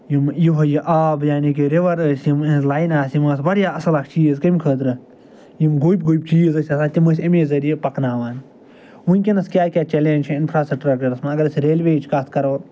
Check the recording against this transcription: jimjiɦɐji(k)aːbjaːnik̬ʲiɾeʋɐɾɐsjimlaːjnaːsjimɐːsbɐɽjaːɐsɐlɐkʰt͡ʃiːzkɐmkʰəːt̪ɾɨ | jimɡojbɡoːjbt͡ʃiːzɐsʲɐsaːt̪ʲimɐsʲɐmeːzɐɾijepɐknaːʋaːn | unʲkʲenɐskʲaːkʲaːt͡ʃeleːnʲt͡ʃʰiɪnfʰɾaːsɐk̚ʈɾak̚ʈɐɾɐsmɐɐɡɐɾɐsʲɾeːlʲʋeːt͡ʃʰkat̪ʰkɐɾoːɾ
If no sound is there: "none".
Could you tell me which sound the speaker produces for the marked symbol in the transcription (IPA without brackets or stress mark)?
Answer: ʔ